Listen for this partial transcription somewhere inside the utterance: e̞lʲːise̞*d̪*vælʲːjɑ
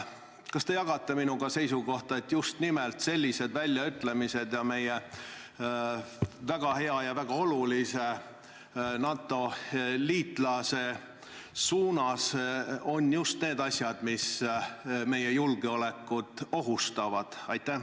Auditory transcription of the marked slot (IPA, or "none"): d̪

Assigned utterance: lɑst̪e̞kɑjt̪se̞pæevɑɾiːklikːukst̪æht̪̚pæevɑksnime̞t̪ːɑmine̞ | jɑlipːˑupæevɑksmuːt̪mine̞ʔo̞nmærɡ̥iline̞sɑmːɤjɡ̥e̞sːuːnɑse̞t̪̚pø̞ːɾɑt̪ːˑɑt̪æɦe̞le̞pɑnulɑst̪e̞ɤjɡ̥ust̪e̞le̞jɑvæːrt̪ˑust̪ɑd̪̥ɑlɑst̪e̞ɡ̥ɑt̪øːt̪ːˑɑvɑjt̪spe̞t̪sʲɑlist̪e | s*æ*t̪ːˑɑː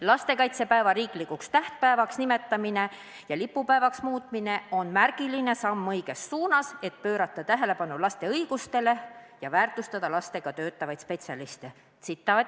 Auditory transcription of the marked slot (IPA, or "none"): i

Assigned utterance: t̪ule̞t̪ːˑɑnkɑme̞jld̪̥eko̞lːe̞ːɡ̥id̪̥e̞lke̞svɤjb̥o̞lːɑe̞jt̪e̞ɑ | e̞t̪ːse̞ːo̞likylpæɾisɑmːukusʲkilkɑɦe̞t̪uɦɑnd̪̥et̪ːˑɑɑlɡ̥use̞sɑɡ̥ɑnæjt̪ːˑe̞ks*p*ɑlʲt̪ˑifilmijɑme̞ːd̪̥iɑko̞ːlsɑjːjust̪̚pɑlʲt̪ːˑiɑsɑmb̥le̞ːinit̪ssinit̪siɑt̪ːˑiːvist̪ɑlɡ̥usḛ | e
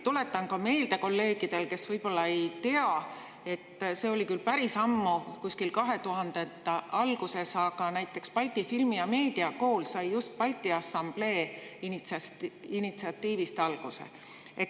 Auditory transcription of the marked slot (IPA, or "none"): p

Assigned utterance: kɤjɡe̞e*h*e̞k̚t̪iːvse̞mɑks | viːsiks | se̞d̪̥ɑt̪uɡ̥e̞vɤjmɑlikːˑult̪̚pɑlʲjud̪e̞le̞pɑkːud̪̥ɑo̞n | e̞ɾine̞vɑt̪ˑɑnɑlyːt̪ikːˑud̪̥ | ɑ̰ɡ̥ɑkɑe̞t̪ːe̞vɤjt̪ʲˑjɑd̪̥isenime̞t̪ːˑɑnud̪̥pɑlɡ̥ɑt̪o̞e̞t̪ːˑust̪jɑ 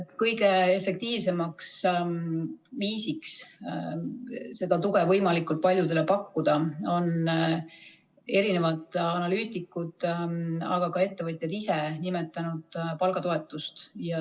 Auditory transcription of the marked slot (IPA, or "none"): f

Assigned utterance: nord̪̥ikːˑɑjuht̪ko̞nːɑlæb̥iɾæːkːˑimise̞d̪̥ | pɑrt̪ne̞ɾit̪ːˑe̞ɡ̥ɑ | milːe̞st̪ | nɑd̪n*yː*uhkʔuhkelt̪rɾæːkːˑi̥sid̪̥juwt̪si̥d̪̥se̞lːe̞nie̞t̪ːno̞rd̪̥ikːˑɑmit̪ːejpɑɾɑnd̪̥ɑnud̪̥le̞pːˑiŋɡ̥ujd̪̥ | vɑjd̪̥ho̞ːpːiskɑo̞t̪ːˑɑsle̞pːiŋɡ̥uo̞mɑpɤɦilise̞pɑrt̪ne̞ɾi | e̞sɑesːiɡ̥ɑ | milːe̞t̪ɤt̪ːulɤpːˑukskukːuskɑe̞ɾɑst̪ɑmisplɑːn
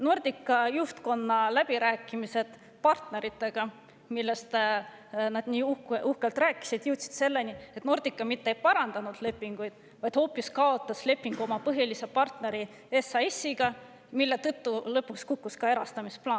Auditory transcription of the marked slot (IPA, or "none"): iː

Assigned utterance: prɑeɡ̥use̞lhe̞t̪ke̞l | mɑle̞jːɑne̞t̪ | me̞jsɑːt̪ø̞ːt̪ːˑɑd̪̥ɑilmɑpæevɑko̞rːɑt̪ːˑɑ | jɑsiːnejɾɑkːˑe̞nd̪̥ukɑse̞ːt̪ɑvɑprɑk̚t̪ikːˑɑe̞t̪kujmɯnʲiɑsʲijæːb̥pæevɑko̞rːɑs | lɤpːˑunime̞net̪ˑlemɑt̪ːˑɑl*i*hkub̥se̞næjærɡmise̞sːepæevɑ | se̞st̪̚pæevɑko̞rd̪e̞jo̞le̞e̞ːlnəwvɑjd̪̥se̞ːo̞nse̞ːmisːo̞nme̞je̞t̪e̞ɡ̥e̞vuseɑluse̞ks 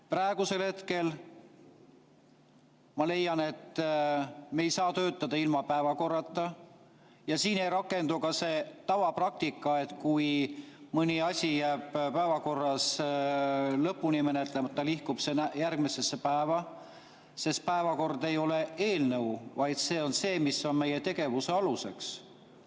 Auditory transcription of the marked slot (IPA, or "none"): i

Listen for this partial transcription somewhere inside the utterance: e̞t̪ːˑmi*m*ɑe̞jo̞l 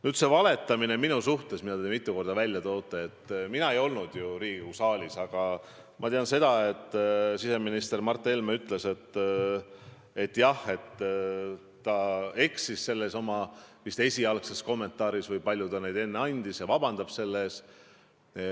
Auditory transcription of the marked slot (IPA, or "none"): n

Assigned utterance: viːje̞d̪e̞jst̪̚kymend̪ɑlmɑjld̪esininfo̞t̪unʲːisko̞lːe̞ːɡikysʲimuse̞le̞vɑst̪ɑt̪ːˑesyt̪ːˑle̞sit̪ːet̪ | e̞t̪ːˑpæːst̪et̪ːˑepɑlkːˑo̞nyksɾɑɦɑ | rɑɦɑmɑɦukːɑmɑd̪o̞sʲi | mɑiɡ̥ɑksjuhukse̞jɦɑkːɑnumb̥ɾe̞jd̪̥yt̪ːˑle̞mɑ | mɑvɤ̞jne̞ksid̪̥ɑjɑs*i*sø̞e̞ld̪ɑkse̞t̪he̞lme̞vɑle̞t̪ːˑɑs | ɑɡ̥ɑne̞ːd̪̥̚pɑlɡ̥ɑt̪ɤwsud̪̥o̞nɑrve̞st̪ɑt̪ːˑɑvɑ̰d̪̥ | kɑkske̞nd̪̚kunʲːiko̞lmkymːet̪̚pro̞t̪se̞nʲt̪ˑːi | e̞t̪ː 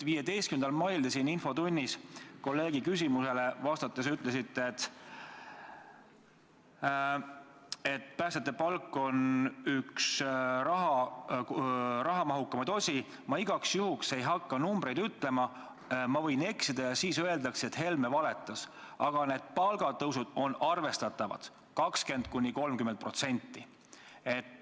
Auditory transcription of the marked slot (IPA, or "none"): iː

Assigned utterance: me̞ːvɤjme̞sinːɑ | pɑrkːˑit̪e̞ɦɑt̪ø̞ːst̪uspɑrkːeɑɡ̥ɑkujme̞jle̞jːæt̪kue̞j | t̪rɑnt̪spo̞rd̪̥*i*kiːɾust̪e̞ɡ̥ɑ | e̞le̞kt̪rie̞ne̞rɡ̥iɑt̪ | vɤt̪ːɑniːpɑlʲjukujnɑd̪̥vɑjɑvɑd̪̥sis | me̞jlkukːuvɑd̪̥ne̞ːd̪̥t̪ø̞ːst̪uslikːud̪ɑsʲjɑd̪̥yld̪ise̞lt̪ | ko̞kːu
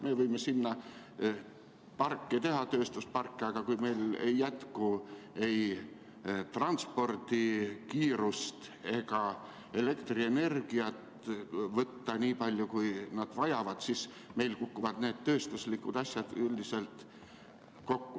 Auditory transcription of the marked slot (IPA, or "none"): i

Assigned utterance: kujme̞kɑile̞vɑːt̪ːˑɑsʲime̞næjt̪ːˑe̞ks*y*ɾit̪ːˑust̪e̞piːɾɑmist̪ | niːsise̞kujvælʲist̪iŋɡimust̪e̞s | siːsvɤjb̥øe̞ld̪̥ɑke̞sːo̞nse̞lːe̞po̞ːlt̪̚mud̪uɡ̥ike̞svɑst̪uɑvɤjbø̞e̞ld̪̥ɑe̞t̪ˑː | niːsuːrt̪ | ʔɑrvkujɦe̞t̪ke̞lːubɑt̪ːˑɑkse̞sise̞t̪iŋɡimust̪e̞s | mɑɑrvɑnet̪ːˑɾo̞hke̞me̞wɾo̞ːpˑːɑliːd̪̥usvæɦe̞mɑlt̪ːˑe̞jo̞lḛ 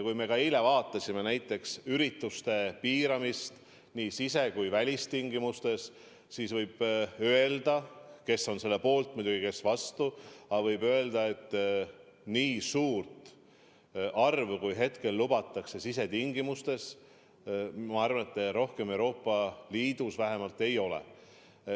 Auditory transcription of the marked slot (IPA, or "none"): y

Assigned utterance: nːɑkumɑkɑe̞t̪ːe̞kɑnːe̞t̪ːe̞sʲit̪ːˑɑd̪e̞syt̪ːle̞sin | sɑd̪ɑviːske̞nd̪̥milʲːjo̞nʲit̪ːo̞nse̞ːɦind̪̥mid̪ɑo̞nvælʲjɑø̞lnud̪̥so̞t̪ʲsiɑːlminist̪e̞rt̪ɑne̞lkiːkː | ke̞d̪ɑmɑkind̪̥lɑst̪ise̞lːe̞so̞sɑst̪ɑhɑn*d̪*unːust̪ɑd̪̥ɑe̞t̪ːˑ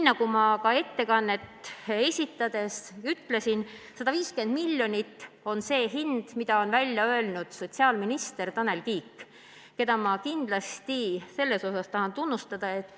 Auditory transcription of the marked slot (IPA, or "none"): t̪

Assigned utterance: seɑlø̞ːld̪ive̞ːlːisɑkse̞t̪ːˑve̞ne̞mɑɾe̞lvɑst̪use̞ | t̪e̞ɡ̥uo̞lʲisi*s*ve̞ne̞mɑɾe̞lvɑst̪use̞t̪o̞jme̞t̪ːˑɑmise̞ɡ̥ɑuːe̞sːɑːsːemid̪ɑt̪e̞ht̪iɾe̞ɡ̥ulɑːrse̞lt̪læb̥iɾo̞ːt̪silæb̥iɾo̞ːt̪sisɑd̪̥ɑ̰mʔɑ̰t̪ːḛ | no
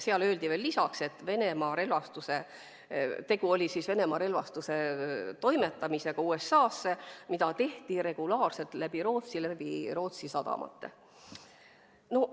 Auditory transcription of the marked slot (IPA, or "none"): s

